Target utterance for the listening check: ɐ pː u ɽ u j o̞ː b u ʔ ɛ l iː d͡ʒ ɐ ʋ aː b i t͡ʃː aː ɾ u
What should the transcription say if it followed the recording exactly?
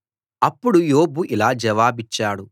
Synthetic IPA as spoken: ɐ pː u ɽ u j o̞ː b u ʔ i l aː d͡ʒ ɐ ʋ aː b i t͡ʃː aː ɽ u